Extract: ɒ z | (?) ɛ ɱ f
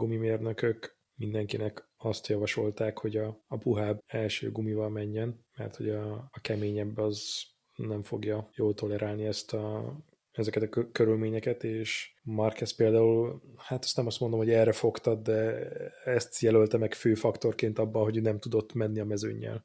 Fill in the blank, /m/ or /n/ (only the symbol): n